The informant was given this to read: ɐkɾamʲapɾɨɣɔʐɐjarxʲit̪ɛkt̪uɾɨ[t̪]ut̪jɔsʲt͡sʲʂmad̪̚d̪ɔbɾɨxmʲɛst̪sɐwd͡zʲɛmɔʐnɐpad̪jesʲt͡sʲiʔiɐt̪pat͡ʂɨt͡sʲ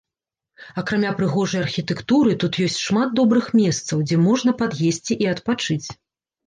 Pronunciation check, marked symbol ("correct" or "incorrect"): correct